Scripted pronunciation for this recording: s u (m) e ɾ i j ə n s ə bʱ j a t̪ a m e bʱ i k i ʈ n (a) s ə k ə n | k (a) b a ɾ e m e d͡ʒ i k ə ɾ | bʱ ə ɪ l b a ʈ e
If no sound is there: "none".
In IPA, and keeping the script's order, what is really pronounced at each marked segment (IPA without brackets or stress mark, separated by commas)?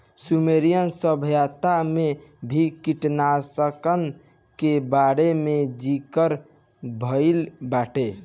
m, a, e